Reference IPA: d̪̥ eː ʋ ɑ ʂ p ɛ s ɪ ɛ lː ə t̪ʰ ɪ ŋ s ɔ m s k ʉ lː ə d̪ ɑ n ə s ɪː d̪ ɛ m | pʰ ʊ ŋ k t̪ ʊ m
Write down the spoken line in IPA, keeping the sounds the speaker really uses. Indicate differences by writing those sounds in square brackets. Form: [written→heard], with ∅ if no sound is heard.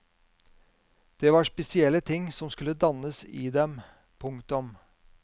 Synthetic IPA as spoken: d̪̥ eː ʋ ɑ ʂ p ɛ s ɪ ɛ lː ə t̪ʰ ɪ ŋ s ɔ m s k ʉ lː ə d̪ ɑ n ə s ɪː d̪ ɛ m | pʰ ʊ ŋ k t̪ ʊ m